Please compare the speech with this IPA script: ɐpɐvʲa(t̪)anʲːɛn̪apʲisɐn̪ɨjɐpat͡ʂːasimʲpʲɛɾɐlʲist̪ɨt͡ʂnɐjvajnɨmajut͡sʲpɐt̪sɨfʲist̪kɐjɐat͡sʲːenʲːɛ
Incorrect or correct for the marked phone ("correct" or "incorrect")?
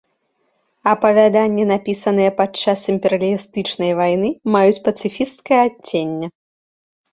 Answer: incorrect